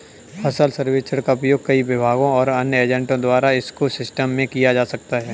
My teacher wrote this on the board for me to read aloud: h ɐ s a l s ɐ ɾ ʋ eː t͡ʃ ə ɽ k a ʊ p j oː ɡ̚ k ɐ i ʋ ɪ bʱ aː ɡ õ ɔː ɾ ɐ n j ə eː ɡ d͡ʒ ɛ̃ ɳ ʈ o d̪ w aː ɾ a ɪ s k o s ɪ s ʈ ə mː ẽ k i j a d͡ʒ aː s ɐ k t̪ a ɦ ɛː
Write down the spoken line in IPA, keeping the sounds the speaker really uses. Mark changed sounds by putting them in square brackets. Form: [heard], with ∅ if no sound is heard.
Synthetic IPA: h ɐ s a l s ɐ ɾ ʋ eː t͡ʃ ə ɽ k a ʊ p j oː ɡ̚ k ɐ i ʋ ɪ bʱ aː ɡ õ ɔː ɾ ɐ n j ə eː [∅] d͡ʒ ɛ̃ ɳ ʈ [õ] d̪ w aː ɾ a ɪ s k o s ɪ s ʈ ə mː ẽ k i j a d͡ʒ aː s ɐ k t̪ a ɦ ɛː